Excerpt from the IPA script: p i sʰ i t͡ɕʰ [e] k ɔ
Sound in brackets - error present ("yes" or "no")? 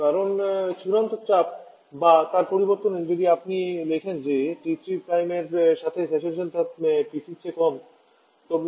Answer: no